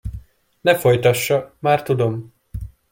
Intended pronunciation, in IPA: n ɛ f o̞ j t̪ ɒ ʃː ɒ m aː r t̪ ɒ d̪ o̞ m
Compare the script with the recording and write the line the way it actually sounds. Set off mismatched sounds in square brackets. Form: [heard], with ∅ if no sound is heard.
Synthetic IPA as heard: n ɛ f o̞ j t̪ ɒ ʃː ɒ m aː r t̪ [u] d̪ o̞ m